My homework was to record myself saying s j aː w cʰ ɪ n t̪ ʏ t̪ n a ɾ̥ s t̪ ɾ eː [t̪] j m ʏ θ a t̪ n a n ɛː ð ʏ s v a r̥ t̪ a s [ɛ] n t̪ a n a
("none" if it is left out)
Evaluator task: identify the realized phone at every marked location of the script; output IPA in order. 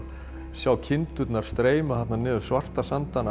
none, a

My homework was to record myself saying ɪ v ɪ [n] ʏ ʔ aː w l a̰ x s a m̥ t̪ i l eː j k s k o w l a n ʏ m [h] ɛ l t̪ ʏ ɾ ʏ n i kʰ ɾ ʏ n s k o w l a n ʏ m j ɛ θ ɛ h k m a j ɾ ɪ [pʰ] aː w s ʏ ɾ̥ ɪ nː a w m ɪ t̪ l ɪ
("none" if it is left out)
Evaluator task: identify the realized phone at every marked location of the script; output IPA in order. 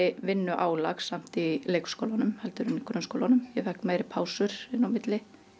nː, h, pʰ

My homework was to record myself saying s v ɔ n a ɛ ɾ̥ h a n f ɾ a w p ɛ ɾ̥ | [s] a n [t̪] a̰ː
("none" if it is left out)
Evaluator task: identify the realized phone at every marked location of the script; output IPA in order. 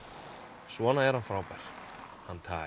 h, t̪ʰ

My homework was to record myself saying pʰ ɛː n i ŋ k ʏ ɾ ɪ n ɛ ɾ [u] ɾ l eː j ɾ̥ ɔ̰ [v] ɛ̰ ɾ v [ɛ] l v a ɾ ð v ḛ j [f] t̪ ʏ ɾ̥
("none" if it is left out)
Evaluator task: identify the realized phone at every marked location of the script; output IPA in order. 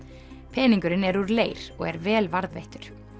u, ɣ, ɛː, h

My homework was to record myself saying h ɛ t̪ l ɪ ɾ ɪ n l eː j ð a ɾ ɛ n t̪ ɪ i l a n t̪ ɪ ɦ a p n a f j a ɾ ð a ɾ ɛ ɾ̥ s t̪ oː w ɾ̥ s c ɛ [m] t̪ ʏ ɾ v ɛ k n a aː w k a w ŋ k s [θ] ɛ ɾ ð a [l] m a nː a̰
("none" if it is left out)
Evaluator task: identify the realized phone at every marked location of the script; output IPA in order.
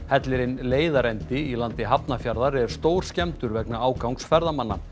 m, f, none

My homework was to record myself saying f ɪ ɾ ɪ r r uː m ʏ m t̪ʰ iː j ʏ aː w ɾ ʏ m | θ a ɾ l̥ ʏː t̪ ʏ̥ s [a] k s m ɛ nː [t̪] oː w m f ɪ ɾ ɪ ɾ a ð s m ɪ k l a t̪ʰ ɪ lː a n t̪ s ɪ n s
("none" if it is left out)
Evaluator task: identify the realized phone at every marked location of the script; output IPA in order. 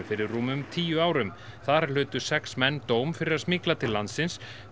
ɛ, t̪

